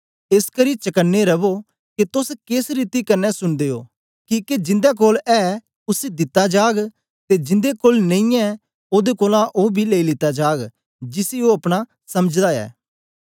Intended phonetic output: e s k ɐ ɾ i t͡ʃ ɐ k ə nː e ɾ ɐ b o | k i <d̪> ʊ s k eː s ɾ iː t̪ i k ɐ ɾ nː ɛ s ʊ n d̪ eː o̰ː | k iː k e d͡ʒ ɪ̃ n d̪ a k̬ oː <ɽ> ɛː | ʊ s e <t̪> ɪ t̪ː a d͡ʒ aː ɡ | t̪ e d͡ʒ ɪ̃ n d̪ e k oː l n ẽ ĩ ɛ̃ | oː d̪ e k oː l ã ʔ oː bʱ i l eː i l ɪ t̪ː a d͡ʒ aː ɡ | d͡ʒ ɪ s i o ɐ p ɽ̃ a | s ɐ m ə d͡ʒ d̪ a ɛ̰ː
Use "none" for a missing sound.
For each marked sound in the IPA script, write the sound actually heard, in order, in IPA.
t̪, l, d̪

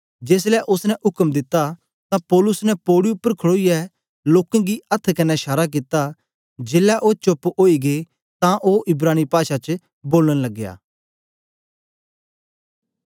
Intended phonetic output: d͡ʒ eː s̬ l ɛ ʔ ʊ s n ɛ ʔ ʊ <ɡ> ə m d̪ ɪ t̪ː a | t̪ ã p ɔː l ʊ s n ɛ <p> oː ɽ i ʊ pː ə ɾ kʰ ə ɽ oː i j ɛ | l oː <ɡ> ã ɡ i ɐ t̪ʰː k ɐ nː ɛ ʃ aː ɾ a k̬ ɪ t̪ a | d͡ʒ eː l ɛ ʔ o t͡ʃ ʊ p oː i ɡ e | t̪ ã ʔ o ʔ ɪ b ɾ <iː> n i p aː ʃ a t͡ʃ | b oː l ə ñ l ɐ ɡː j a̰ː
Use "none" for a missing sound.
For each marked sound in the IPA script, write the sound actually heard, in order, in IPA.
k, p, k, aː

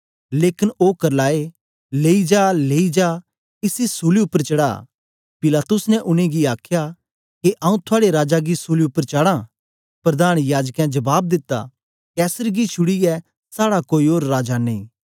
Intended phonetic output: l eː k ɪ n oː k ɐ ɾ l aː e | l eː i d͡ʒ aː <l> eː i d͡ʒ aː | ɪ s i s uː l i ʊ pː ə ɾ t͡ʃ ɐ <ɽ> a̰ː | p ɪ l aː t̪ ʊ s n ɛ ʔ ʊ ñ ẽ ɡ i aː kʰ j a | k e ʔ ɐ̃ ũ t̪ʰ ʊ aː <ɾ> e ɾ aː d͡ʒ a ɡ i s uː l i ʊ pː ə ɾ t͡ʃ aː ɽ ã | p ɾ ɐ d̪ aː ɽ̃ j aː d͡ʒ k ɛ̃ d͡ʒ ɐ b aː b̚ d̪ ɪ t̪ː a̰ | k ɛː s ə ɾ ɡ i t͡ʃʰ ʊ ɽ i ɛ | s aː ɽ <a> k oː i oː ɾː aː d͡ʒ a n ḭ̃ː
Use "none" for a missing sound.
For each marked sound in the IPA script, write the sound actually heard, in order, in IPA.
l, ɽ, ɽ, a

